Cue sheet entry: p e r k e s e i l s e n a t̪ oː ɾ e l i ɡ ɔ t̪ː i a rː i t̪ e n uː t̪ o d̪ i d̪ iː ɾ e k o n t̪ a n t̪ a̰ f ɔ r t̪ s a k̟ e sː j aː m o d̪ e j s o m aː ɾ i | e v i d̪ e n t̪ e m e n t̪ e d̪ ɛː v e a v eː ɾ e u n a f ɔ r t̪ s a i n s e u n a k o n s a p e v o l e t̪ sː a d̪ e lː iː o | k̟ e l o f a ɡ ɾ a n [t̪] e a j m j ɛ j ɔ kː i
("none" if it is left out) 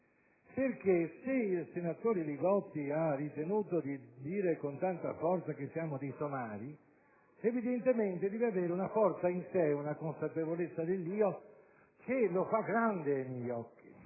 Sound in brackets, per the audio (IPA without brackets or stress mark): d̪